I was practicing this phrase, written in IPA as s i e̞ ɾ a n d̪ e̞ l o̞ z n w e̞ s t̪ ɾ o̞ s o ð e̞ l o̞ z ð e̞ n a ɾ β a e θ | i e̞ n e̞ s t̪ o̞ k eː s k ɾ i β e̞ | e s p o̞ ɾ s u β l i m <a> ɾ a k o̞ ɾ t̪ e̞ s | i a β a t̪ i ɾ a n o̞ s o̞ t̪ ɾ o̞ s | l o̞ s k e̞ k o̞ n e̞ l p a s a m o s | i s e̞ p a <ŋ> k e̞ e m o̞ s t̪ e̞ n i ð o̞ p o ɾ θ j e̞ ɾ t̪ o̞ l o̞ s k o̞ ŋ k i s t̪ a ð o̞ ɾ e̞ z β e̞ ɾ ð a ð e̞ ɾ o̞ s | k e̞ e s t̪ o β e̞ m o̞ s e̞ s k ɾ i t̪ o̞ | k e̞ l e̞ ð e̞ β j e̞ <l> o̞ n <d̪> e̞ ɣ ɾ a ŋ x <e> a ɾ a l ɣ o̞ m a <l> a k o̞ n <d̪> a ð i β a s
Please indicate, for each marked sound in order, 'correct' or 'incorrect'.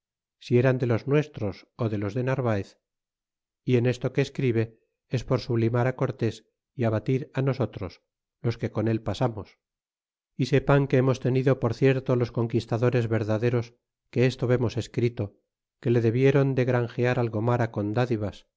correct, correct, incorrect, correct, correct, incorrect, correct

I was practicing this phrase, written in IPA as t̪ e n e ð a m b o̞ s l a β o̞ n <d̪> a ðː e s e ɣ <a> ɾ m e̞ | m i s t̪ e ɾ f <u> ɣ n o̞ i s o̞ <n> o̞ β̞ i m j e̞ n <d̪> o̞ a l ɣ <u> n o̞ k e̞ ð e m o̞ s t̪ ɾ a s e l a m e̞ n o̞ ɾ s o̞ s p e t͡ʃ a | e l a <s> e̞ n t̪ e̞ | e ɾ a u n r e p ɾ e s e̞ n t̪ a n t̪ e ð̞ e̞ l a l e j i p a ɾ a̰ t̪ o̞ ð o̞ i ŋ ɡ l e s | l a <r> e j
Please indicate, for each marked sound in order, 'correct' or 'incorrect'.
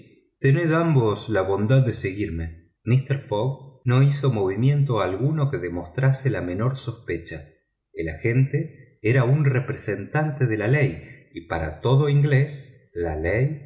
correct, incorrect, incorrect, incorrect, incorrect, correct, incorrect, incorrect

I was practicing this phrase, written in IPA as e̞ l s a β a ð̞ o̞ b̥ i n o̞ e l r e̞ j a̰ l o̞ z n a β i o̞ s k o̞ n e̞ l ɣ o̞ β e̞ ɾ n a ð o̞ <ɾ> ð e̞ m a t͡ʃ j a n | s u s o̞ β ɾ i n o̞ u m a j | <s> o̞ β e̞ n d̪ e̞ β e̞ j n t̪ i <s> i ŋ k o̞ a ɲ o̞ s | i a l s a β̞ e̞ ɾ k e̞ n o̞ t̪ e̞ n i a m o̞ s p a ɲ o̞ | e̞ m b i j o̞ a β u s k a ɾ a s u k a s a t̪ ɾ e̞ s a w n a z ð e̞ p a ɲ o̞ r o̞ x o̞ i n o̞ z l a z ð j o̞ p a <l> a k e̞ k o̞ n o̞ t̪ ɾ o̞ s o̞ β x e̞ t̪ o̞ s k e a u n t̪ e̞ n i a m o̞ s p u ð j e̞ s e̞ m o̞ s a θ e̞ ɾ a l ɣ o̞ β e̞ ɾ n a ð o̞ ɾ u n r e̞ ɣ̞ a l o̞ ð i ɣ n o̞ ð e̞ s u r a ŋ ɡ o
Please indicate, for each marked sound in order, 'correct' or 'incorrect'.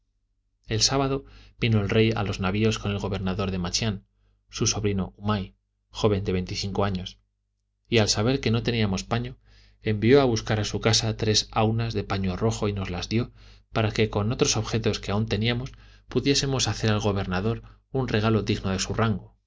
correct, incorrect, incorrect, incorrect

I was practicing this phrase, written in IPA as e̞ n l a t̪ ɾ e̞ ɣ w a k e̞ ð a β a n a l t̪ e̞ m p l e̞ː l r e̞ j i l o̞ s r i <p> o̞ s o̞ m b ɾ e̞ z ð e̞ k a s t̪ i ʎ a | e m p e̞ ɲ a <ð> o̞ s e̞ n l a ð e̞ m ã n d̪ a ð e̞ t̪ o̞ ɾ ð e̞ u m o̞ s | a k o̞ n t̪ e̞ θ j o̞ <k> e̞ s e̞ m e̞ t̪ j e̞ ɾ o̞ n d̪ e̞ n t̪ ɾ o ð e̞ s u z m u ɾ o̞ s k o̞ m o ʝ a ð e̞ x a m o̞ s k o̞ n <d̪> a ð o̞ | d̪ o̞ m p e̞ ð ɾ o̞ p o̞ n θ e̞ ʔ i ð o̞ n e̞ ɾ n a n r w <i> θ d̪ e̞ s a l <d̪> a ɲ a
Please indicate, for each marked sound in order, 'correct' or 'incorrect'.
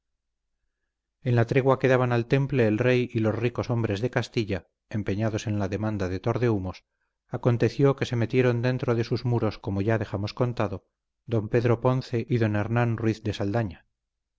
incorrect, correct, correct, incorrect, correct, correct

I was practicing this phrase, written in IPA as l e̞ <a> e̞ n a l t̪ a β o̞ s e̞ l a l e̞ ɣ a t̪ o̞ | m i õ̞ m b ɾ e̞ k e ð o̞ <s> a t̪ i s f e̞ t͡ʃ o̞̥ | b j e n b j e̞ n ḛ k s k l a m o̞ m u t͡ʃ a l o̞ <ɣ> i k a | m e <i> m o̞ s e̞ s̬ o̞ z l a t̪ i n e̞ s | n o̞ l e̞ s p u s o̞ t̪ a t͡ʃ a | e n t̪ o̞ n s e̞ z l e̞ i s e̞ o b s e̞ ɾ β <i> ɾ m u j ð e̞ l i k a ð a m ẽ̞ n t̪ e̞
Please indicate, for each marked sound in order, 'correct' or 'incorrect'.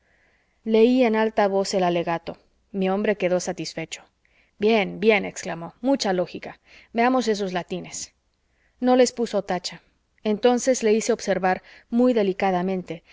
incorrect, correct, incorrect, incorrect, incorrect

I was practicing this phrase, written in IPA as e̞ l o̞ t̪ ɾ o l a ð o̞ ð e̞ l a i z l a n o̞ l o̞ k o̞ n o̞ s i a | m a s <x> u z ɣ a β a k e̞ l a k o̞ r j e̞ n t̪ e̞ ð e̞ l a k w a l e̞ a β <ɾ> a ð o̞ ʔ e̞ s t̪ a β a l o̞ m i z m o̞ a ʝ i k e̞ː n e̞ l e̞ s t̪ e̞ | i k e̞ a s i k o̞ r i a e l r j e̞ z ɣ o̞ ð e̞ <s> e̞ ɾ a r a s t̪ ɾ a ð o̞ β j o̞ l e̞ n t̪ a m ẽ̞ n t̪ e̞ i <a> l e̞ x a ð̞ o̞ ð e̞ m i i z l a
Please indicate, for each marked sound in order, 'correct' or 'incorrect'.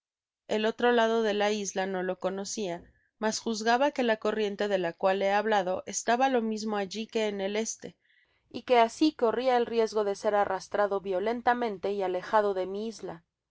correct, incorrect, correct, correct

